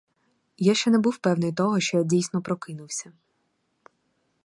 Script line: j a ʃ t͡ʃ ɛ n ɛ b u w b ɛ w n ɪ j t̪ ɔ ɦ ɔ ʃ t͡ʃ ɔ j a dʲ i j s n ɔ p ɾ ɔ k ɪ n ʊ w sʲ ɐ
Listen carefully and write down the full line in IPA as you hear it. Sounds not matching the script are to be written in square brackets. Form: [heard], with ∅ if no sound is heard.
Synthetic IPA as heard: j a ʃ t͡ʃ ɛ n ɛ b u w [p] ɛ w n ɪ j t̪ ɔ ɦ ɔ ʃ t͡ʃ ɔ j a dʲ i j s n ɔ p ɾ ɔ k ɪ n ʊ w sʲ ɐ

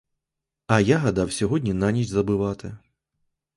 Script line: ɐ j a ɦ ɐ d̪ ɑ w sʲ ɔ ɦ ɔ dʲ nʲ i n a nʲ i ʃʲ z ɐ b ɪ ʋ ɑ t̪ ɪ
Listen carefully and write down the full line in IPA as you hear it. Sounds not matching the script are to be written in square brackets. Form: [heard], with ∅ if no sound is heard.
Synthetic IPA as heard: ɐ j a ɦ ɐ d̪ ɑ w sʲ ɔ ɦ ɔ dʲ nʲ i n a nʲ i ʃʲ z ɐ b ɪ ʋ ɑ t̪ ɪ

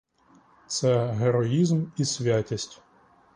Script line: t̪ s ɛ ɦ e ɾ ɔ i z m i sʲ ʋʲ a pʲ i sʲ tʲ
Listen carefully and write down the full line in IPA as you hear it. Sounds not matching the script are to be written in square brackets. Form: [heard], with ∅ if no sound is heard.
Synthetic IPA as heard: t̪ s ɛ ɦ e ɾ ɔ i z m i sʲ ʋʲ a [tʲ] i sʲ tʲ

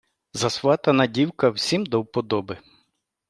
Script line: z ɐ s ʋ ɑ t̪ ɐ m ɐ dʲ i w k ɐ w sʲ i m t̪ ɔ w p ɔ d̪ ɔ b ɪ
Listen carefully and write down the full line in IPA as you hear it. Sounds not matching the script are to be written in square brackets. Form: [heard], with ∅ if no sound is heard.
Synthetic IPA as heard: z ɐ s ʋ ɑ t̪ ɐ [n] ɐ dʲ i w k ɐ w sʲ i m [d̪] ɔ w p ɔ d̪ ɔ b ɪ

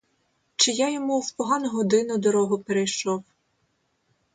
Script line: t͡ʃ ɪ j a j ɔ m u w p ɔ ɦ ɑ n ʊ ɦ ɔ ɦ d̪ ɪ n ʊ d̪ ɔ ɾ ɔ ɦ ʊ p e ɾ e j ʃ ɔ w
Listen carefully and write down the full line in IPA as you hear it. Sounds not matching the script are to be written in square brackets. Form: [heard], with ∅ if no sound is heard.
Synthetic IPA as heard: t͡ʃ ɪ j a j ɔ m u w p ɔ ɦ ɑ n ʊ ɦ ɔ [∅] d̪ ɪ n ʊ d̪ ɔ ɾ ɔ ɦ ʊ p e ɾ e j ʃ ɔ w

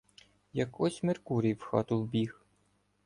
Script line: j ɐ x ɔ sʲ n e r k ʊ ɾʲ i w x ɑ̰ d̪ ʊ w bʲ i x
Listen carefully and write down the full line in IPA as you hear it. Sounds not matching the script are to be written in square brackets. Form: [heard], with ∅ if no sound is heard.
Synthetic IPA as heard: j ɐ [k] ɔ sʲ [m] e r k [u] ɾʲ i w x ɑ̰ [t̪] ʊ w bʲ i x

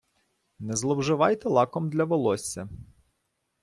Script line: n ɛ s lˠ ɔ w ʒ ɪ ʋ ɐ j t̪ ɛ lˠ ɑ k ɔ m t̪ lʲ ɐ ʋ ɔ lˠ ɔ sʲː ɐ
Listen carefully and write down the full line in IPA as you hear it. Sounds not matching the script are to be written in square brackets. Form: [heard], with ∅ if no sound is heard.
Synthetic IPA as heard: n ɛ [z] lˠ ɔ w ʒ ɪ ʋ [ɑ] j t̪ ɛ lˠ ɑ k ɔ m [d̪] lʲ ɐ ʋ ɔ lˠ ɔ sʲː ɐ

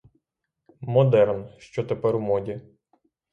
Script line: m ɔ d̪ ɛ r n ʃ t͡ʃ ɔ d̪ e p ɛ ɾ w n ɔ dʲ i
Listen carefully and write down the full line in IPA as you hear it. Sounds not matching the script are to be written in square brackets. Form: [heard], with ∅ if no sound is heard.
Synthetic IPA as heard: m ɔ d̪ ɛ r n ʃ t͡ʃ ɔ [t̪] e p ɛ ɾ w [m] ɔ dʲ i

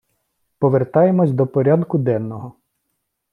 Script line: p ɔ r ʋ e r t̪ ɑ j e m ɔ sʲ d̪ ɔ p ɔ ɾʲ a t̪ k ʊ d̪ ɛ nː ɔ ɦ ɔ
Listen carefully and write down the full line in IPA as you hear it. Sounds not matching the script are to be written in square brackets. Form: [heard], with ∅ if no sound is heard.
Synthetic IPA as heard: p ɔ [∅] ʋ e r t̪ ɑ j e m ɔ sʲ d̪ ɔ p ɔ ɾʲ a [d̪] k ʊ d̪ ɛ nː ɔ ɦ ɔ

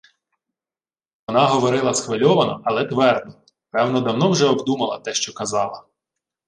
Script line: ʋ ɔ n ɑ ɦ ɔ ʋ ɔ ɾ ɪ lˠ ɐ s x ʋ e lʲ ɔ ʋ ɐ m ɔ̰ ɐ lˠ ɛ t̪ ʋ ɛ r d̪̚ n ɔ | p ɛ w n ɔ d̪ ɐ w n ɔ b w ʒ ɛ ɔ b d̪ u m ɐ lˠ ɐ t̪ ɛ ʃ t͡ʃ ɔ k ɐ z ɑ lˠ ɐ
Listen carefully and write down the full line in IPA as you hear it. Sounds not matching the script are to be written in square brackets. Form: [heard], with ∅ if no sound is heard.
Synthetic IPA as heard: ʋ ɔ n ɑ ɦ ɔ ʋ ɔ ɾ ɪ lˠ ɐ s x ʋ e lʲ ɔ ʋ ɐ [n] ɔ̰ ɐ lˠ ɛ t̪ ʋ ɛ r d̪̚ n ɔ | p ɛ w n ɔ d̪ ɐ w n ɔ [∅] w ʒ ɛ ɔ b d̪ u m ɐ lˠ ɐ t̪ ɛ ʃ t͡ʃ ɔ k ɐ z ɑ lˠ ɐ

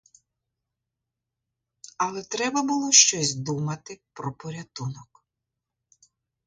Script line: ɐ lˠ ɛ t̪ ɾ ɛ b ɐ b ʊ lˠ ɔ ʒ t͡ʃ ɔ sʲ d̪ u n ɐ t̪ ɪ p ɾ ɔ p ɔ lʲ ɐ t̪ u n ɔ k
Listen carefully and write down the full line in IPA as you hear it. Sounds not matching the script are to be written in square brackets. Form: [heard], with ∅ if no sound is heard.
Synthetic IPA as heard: ɐ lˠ ɛ t̪ ɾ ɛ b ɐ b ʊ lˠ ɔ [ʃ] t͡ʃ ɔ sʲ d̪ u [m] ɐ t̪ ɪ p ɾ ɔ p ɔ [ɾʲ] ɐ t̪ u n ɔ k

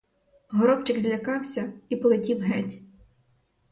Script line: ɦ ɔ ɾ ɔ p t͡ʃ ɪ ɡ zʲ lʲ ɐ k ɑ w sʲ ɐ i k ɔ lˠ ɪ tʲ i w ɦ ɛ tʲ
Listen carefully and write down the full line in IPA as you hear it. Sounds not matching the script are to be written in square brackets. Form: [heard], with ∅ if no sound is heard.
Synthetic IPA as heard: ɦ ɔ ɾ ɔ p t͡ʃ ɪ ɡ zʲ lʲ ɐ k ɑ w sʲ ɐ i [p] ɔ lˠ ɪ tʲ i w ɦ ɛ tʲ

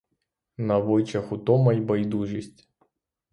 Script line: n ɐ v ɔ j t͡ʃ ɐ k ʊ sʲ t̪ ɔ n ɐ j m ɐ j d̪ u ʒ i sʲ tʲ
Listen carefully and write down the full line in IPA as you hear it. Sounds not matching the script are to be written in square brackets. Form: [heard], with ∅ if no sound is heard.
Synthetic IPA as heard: n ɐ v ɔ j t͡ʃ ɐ [x] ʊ [∅] t̪ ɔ [m] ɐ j [b] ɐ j d̪ u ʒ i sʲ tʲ

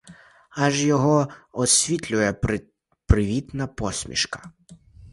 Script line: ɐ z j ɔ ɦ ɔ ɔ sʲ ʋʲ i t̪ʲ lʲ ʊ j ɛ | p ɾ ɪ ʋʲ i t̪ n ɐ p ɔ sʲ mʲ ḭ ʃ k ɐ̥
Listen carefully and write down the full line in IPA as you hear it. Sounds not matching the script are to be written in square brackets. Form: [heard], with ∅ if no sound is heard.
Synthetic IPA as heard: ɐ [ʒ] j ɔ ɦ ɔ ɔ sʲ ʋʲ i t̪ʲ lʲ ʊ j ɛ | p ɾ ɪ ʋʲ i t̪ n ɐ p ɔ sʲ mʲ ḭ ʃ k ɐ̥

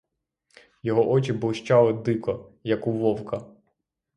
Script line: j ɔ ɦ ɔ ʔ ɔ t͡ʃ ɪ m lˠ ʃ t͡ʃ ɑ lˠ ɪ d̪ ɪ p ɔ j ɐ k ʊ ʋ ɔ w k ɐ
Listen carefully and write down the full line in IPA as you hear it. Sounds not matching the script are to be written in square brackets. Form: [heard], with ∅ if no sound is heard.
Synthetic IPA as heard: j ɔ ɦ ɔ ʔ ɔ t͡ʃ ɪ [b] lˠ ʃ t͡ʃ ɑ lˠ ɪ d̪ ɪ [k] ɔ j ɐ k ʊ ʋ ɔ w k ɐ

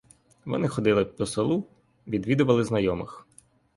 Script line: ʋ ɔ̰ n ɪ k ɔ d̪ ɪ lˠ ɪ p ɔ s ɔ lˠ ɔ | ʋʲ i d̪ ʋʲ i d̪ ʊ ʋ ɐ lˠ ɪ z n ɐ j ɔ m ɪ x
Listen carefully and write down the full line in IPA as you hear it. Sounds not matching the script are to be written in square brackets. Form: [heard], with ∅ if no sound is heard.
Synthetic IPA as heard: ʋ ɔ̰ n ɪ [x] ɔ d̪ ɪ lˠ ɪ p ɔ s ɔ lˠ [u] | ʋʲ i d̪ ʋʲ i d̪ ʊ ʋ ɐ lˠ ɪ z n ɐ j ɔ m ɪ x

